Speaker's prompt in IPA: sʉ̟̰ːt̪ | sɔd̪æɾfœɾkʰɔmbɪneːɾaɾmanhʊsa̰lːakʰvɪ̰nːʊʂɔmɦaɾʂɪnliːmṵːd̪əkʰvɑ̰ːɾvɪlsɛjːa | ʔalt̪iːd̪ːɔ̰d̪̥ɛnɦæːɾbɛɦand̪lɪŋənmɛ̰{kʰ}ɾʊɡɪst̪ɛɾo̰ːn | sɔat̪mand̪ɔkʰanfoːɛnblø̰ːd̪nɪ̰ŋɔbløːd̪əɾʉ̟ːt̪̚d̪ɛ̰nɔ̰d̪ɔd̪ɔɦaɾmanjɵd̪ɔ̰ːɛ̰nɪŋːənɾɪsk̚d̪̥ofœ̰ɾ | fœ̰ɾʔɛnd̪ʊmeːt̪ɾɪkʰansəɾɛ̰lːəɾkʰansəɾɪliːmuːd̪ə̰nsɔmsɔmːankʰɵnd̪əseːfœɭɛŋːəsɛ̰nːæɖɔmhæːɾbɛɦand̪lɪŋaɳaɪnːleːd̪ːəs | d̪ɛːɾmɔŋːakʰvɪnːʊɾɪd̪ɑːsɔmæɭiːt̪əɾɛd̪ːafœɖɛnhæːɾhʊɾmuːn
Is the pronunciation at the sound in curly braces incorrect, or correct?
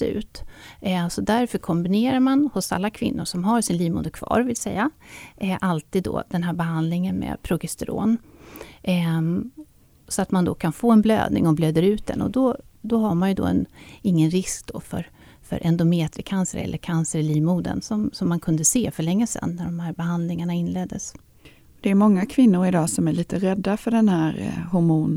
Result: incorrect